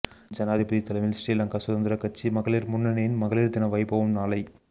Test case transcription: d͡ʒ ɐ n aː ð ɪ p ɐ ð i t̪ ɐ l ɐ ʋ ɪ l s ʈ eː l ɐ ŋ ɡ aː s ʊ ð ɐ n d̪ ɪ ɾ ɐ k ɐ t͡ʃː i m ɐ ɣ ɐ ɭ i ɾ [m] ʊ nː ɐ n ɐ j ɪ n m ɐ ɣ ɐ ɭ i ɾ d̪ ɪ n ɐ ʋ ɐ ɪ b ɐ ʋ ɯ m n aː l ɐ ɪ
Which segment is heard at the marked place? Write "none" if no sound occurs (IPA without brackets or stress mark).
m